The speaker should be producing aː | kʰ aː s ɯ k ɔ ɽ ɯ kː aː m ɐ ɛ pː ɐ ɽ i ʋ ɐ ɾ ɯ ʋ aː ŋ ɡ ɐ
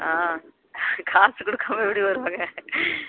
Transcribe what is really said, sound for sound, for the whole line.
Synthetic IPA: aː | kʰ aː s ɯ k ɔ ɽ ɯ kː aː m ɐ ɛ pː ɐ ɽ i ʋ ɐ ɾ ɯ ʋ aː ŋ ɡ ɐ